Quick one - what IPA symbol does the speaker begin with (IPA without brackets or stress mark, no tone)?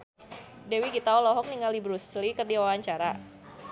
d